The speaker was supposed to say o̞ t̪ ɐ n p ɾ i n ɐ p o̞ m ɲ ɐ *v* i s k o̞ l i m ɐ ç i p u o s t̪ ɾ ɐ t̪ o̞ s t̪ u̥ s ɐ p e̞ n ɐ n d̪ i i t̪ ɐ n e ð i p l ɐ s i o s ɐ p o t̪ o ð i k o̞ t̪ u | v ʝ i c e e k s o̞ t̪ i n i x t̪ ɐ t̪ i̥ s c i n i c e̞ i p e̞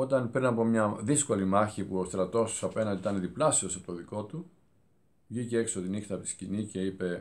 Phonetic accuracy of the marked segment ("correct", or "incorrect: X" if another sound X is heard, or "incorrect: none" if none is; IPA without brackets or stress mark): incorrect: ð